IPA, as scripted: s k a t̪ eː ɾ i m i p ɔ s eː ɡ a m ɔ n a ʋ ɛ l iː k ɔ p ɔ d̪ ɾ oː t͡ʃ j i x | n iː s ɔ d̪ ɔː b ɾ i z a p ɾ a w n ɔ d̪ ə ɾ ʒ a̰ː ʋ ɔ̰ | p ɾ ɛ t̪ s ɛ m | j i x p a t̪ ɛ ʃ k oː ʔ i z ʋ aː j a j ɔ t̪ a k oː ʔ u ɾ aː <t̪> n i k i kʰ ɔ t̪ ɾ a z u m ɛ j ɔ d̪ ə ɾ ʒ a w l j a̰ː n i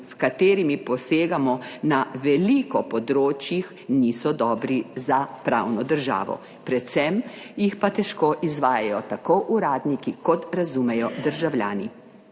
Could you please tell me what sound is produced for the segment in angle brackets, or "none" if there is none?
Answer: d̪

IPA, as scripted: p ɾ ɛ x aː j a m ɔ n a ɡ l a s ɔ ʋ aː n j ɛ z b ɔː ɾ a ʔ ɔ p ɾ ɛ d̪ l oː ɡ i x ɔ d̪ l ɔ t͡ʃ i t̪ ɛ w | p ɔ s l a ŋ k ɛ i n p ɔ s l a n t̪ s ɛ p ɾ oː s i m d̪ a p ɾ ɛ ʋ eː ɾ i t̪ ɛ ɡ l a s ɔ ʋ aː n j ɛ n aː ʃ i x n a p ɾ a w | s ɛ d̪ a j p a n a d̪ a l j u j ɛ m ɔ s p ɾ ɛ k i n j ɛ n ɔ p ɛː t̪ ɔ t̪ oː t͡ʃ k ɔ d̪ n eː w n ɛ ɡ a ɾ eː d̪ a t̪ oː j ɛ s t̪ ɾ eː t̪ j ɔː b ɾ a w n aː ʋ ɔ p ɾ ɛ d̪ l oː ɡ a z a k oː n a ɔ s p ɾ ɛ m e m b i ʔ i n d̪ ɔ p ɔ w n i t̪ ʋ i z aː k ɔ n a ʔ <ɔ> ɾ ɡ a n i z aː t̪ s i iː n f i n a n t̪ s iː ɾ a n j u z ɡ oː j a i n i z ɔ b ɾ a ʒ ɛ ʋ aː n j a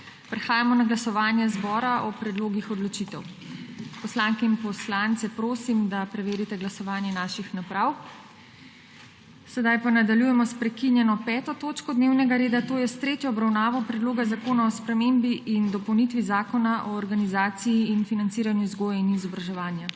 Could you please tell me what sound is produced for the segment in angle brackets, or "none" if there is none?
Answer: ɔː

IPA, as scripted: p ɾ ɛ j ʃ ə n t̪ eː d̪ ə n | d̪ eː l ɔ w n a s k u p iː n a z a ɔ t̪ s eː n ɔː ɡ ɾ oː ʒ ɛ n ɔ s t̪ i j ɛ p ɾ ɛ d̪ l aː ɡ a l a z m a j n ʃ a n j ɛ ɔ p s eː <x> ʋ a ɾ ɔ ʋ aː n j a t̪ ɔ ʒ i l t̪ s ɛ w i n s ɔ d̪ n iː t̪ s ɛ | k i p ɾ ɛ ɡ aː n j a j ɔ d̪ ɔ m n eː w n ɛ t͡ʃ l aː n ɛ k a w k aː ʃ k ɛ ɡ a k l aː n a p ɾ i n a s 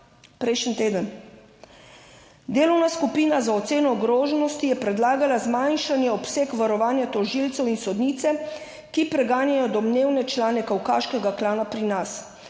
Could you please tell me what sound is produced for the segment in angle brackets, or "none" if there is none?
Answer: k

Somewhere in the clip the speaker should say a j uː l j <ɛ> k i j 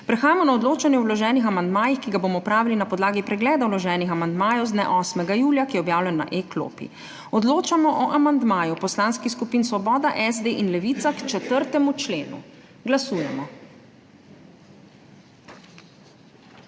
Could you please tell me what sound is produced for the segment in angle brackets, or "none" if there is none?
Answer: a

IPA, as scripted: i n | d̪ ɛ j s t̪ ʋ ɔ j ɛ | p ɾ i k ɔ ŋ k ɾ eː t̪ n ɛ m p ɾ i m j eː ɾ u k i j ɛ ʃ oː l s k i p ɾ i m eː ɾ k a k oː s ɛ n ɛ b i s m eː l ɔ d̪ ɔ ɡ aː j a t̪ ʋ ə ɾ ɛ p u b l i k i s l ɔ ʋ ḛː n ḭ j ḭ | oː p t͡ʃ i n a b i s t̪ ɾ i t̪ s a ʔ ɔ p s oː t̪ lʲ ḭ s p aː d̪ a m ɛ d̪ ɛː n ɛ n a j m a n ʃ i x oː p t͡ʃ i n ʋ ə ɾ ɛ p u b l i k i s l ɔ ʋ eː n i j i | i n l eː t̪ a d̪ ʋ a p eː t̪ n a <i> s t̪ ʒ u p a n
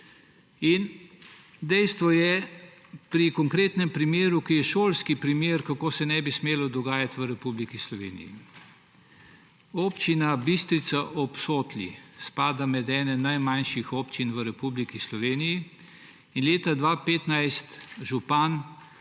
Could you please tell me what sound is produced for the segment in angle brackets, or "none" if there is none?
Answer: j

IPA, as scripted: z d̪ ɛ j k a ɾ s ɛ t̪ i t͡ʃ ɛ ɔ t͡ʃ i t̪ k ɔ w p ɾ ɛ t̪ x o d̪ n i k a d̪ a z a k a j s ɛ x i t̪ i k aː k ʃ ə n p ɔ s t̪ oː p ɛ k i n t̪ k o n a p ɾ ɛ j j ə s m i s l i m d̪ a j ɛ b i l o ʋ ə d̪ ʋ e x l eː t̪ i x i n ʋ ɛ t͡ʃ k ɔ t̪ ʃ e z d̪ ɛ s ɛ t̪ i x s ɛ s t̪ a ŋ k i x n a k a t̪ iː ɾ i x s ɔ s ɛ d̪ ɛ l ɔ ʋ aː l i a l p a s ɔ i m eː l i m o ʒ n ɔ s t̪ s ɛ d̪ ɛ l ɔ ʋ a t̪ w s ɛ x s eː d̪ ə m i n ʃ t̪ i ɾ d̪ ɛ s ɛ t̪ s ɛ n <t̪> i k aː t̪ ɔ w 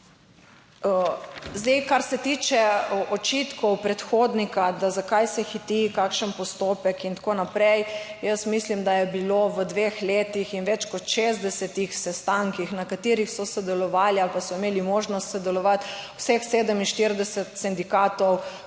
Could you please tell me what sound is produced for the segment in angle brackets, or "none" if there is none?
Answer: d̪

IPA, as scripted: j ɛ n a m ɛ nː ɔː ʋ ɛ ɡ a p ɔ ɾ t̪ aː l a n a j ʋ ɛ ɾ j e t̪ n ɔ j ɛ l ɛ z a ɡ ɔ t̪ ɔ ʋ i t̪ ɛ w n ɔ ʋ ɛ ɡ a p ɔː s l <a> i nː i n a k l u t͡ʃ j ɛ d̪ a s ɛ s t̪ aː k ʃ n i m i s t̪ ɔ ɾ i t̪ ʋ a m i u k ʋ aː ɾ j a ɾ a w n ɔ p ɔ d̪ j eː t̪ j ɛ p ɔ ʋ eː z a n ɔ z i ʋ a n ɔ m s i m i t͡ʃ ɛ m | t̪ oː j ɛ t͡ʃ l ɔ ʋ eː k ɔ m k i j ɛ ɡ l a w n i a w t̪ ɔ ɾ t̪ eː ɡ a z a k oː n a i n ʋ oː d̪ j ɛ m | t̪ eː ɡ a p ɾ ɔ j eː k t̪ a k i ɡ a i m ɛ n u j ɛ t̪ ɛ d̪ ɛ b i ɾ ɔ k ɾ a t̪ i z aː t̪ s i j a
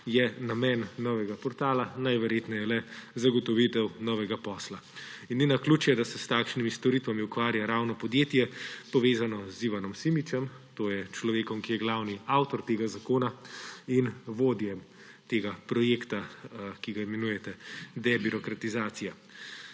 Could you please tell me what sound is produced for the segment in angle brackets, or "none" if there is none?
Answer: a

